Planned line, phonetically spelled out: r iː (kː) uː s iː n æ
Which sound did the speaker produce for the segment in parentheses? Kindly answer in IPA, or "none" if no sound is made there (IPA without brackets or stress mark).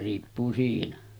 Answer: pː